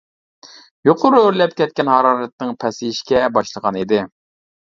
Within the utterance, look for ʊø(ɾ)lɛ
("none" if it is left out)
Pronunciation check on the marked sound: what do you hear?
ɾ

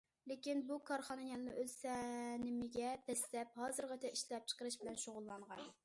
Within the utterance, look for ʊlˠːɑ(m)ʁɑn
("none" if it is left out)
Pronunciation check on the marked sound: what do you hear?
ɴ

